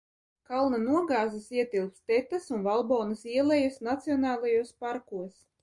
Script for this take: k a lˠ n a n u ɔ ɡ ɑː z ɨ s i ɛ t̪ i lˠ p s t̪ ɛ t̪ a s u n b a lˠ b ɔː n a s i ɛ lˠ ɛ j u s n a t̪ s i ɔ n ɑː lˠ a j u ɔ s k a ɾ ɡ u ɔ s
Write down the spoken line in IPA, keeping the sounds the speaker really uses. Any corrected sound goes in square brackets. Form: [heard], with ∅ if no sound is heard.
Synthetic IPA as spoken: k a lˠ n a n u ɔ ɡ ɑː z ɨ s i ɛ t̪ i lˠ p s t̪ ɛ t̪ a s u n [v] a lˠ b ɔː n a s i ɛ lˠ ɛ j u s n a t̪ s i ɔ n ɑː lˠ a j u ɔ s [p] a ɾ [k] u ɔ s